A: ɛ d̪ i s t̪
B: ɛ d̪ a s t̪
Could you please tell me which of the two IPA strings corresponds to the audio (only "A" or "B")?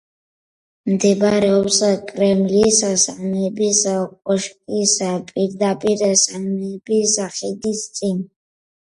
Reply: A